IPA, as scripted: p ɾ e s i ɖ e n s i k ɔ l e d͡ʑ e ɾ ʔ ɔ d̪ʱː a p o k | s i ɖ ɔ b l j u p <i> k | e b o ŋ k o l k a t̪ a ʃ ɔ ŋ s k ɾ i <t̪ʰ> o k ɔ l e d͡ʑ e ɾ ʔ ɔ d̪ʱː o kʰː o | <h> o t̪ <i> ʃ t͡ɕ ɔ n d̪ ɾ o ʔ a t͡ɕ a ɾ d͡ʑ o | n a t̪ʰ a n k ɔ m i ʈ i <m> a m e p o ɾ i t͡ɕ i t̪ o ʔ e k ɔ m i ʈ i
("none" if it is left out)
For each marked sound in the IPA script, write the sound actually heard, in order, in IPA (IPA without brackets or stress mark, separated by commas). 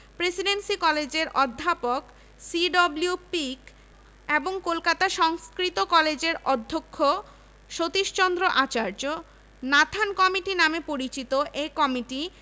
i, t̪, ʃ, i, n